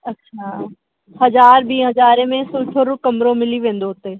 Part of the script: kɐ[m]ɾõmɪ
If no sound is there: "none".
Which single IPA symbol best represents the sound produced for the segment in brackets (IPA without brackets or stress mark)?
m